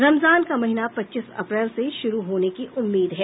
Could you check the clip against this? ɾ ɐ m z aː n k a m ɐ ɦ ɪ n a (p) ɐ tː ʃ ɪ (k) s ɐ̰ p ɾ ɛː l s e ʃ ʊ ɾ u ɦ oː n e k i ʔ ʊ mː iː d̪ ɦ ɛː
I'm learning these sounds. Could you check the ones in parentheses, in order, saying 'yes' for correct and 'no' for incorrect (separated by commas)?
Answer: yes, no